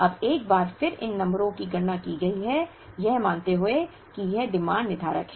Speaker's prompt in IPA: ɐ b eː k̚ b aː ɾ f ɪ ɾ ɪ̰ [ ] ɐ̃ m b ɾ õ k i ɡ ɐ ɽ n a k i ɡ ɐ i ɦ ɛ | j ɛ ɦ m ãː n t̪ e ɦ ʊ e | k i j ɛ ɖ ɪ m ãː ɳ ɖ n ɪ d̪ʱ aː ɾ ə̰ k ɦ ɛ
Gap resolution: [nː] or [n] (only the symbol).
nː